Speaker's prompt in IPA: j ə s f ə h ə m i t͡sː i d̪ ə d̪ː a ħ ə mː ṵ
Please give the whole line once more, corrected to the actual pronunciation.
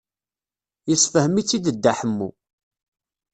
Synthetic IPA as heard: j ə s f ə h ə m i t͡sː i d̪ ə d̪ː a ħ ə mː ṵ